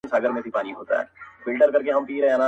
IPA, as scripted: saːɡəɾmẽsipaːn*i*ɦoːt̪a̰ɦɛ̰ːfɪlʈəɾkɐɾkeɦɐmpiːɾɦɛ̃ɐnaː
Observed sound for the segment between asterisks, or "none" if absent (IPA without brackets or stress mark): i